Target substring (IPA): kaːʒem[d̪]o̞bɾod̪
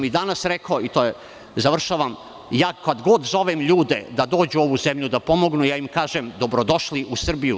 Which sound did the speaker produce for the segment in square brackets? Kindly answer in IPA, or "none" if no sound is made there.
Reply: d̪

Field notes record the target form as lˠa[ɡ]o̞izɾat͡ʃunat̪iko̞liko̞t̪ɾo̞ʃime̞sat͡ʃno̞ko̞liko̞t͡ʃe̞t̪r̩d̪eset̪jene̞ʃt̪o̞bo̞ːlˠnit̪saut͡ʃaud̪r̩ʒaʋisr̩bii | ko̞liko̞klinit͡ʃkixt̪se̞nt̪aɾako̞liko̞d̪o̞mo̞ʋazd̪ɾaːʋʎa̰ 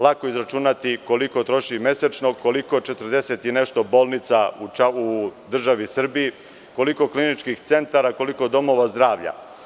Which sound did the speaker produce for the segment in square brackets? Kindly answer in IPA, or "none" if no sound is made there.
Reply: k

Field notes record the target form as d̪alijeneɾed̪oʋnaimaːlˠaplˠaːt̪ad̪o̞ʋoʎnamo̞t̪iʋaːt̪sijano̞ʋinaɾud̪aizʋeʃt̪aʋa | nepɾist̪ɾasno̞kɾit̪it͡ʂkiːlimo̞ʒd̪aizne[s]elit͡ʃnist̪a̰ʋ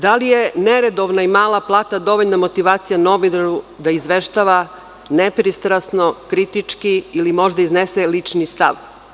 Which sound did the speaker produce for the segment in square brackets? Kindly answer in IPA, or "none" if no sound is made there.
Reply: s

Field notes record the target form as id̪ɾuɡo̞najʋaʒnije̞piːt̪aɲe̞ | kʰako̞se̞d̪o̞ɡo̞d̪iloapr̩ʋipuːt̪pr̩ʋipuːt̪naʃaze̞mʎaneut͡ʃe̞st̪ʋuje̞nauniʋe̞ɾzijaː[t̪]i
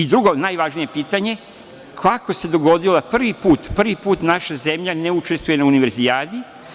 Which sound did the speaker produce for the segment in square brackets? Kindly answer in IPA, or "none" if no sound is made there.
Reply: d̪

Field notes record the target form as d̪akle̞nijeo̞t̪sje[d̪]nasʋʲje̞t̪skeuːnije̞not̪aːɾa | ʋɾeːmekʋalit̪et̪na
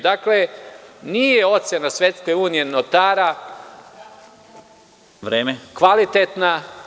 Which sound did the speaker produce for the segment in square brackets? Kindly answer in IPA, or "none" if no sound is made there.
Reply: none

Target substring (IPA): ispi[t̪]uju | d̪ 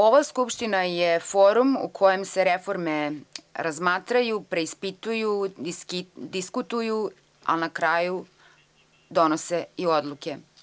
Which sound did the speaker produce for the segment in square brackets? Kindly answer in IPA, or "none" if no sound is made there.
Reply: t̪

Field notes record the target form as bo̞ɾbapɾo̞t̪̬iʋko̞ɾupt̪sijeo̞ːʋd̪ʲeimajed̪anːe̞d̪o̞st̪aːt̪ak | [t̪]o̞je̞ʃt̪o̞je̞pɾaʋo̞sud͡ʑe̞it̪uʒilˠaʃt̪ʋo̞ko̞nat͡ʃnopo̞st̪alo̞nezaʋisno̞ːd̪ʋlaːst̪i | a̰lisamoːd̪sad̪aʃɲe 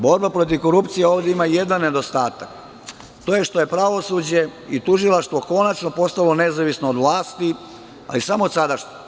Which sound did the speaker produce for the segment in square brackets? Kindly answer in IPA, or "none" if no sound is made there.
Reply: t̪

